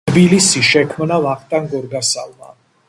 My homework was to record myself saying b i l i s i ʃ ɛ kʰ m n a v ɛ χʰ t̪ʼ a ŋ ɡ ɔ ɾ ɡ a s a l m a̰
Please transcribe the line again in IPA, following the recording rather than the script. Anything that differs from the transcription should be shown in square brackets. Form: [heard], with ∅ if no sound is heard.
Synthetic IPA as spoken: b i l i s i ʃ ɛ kʰ m n a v [a] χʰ t̪ʼ a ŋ ɡ ɔ ɾ ɡ a s a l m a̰

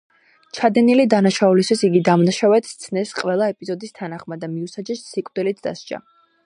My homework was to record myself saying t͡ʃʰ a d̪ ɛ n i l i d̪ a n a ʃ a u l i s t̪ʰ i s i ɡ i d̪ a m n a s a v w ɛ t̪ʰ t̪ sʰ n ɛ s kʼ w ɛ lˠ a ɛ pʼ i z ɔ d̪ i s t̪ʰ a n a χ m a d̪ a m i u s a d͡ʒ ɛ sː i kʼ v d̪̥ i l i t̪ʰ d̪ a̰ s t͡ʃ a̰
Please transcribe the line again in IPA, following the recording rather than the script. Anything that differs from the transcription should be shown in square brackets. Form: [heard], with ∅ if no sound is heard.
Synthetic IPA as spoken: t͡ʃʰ a d̪ ɛ n i l i d̪ a n a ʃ a u l i s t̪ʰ i s i ɡ i d̪ a m n a [ʃ] a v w ɛ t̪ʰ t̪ sʰ n ɛ s [qʼ] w ɛ lˠ a ɛ pʼ i z ɔ d̪ i s t̪ʰ a n a χ m a d̪ a m i u s a d͡ʒ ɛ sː i kʼ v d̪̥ i l i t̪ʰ d̪ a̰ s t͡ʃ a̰

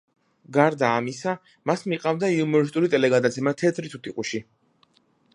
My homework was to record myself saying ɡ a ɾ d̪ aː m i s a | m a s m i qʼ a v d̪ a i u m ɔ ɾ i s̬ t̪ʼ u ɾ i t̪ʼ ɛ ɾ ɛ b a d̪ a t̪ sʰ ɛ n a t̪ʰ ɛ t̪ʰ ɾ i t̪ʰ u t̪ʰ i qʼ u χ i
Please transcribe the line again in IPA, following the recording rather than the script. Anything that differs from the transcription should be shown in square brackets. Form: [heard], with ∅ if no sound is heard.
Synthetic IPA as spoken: ɡ a ɾ d̪ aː m i s a | m a s m i qʼ a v d̪ a i u m ɔ ɾ i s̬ t̪ʼ u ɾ i t̪ʼ ɛ [l] ɛ [ɡ] a d̪ a t̪ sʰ ɛ [m] a t̪ʰ ɛ t̪ʰ ɾ i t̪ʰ u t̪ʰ i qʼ u [ʃ] i

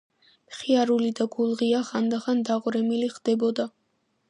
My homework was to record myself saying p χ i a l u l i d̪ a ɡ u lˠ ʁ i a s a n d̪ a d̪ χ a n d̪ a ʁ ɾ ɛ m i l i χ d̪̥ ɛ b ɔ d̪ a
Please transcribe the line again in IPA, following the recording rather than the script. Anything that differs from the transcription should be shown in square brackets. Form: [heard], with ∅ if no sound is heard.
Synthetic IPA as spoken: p χ i a [ɾ] u l i d̪ a ɡ u lˠ ʁ i a [χ] a n d̪ a [∅] χ a n d̪ a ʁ ɾ ɛ m i l i χ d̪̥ ɛ b ɔ d̪ a

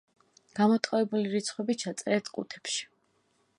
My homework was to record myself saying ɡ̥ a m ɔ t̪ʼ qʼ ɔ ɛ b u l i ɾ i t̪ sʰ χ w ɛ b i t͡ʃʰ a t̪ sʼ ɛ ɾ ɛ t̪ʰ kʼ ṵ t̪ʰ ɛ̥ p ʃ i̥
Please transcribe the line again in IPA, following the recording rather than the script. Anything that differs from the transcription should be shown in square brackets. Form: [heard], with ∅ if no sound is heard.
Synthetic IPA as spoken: ɡ̥ a m ɔ t̪ʼ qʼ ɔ ɛ b u l i ɾ i t̪ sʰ χ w ɛ b i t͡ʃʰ a t̪ sʼ ɛ ɾ ɛ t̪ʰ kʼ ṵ t̪ʰ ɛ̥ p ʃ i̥

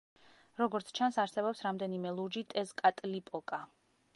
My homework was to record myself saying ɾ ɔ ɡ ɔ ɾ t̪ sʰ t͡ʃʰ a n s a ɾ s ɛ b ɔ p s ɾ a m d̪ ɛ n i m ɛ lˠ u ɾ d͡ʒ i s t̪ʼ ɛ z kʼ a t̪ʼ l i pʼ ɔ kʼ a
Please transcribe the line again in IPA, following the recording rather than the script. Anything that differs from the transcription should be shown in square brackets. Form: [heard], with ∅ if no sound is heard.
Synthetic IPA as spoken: ɾ ɔ ɡ ɔ ɾ t̪ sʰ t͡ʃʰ a n s a ɾ s ɛ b ɔ p s ɾ a m d̪ ɛ n i m ɛ lˠ u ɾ d͡ʒ i [∅] t̪ʼ ɛ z kʼ a t̪ʼ l i pʼ ɔ kʼ a

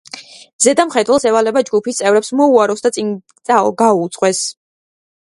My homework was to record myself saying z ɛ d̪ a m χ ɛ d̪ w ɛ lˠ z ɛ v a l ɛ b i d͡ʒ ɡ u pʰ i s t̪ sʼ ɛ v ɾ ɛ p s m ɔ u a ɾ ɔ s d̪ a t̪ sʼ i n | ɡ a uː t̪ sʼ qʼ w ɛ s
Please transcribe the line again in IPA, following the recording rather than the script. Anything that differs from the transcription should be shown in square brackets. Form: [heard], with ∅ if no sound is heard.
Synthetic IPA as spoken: z ɛ d̪ a m χ ɛ d̪ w ɛ lˠ [s] ɛ v a l ɛ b [a] d͡ʒ ɡ u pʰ i s t̪ sʼ ɛ v ɾ ɛ p s m ɔ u a ɾ ɔ s d̪ a t̪ sʼ i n | ɡ a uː t̪ sʼ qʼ w ɛ s

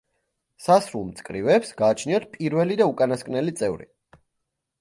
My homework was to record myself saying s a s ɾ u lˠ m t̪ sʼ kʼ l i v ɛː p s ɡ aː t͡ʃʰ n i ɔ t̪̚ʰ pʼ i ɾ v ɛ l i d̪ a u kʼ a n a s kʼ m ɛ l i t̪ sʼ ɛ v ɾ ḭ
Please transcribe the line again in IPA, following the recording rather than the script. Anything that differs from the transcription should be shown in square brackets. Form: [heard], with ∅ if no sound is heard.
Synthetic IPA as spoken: s a s ɾ u lˠ m t̪ sʼ kʼ [ɾ] i v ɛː p s ɡ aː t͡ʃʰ n i ɔ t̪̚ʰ pʼ i ɾ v ɛ l i d̪ a u kʼ a n a s kʼ [n] ɛ l i t̪ sʼ ɛ v ɾ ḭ

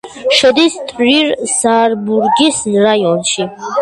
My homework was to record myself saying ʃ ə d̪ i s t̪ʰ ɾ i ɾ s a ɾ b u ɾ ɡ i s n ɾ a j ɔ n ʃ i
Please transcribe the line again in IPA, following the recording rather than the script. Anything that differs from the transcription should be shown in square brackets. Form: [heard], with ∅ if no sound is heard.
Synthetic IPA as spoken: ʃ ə d̪ i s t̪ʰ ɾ i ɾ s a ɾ b u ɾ ɡ i s n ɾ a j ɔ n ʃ i

